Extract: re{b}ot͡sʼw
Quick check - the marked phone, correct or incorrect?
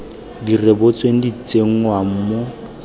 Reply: correct